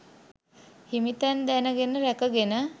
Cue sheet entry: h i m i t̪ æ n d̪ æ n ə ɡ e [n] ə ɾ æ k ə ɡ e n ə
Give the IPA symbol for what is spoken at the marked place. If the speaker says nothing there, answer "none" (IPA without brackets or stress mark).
n